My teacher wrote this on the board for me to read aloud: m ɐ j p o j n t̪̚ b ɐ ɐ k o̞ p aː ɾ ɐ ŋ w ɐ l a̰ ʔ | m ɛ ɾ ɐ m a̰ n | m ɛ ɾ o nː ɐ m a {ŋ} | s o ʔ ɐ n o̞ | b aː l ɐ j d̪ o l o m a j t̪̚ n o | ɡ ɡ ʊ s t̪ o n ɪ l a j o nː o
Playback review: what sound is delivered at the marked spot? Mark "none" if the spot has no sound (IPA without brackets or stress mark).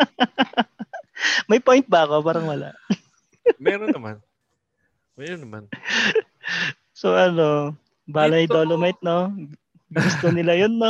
n